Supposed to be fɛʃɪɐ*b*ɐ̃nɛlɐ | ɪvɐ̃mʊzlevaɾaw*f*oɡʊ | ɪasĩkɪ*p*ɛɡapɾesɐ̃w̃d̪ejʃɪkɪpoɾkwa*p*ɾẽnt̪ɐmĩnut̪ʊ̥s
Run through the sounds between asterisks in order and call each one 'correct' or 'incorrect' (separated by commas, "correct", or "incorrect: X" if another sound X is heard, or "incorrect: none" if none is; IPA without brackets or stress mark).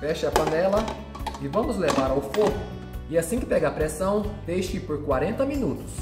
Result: incorrect: p, correct, correct, incorrect: none